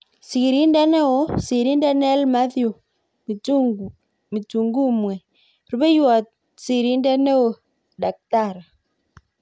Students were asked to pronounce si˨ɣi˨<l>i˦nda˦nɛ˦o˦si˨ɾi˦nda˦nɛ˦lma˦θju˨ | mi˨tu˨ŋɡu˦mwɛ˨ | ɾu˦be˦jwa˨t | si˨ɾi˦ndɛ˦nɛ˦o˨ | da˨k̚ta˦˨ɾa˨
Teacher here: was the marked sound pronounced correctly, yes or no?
no